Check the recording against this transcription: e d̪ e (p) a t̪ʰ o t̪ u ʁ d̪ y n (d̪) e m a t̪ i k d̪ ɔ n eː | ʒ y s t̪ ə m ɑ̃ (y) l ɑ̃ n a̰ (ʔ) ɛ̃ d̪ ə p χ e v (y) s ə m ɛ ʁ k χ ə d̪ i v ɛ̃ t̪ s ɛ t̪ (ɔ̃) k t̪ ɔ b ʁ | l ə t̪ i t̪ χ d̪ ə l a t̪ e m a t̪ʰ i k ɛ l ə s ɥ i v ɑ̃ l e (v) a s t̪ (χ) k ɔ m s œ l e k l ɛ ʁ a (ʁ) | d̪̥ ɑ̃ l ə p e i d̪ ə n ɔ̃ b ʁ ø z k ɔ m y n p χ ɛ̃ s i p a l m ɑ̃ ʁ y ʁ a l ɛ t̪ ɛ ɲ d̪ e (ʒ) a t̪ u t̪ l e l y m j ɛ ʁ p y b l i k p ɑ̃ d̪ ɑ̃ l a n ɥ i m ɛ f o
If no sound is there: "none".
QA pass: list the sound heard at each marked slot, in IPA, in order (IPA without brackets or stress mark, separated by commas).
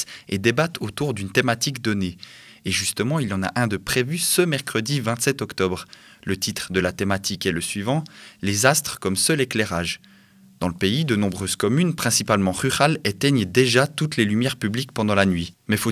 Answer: b, t̪, i, ʔ, y, ɔ, z, χ, ʒ, ʒ